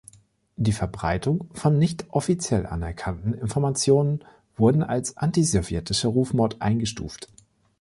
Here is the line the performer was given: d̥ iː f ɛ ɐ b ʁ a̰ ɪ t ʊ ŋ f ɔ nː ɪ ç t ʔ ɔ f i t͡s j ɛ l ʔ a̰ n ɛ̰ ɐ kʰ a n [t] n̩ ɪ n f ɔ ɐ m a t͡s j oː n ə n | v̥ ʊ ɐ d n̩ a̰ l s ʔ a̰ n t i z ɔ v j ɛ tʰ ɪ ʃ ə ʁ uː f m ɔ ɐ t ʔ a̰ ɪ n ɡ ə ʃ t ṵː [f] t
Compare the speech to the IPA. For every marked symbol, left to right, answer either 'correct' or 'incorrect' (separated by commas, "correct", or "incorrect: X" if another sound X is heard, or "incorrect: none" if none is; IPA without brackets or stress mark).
correct, correct